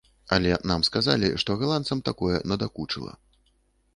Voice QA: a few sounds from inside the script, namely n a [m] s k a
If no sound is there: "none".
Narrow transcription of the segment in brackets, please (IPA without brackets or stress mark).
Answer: m